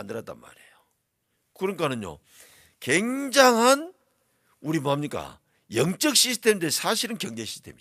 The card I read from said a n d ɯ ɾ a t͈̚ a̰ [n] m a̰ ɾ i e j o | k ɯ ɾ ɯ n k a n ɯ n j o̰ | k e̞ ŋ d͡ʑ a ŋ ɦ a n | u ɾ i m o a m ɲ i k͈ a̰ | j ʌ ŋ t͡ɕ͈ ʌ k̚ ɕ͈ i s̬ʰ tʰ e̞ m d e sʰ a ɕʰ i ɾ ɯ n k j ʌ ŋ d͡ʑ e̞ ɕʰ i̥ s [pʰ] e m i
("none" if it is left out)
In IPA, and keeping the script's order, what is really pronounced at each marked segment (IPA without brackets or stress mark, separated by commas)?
n, tʰ